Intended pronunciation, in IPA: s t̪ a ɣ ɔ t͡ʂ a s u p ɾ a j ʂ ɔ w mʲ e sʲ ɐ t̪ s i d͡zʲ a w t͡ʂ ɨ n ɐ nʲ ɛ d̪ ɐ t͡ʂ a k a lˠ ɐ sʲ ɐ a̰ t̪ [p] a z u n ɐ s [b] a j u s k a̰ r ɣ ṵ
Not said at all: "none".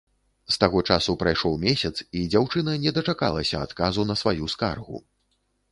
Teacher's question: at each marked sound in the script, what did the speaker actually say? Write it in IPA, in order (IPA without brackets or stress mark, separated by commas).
k, v